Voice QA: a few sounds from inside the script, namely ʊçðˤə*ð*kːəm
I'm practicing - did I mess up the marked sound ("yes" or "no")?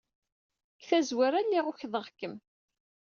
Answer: yes